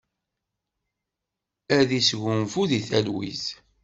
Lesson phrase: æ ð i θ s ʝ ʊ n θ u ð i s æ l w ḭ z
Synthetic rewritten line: æ ð i s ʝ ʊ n f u ð i θ æ l w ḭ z